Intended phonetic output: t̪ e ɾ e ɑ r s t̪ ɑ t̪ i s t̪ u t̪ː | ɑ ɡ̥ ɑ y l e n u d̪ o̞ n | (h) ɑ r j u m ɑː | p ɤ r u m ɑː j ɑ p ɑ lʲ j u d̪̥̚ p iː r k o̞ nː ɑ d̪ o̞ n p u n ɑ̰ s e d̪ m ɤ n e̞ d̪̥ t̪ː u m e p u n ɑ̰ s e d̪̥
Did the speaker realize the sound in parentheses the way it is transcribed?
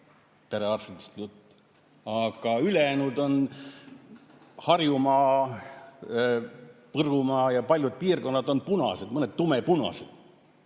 yes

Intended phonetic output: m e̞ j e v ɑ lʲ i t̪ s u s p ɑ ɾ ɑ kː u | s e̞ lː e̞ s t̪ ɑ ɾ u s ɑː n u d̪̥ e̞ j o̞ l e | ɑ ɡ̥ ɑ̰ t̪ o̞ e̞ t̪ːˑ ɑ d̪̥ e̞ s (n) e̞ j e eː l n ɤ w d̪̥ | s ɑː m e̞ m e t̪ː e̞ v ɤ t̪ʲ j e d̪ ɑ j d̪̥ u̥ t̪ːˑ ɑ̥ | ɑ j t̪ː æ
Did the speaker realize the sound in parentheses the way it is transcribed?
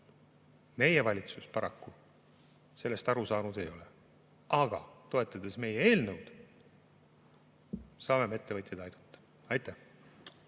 no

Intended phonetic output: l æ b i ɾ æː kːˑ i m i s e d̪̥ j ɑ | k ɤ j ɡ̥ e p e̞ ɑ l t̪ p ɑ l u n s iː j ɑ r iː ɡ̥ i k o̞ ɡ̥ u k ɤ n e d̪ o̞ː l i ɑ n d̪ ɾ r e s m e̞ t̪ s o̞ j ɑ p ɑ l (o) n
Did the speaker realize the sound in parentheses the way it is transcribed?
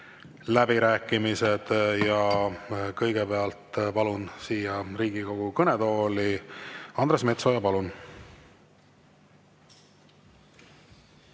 no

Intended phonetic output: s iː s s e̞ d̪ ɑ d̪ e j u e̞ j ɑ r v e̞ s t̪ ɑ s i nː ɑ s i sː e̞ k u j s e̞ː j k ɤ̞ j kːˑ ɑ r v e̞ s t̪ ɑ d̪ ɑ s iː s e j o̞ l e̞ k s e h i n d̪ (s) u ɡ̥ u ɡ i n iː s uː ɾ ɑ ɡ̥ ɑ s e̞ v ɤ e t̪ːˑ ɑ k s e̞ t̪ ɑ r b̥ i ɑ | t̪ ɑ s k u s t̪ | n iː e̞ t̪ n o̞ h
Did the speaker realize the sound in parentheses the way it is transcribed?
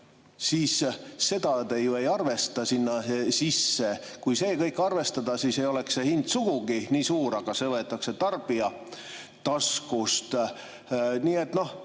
yes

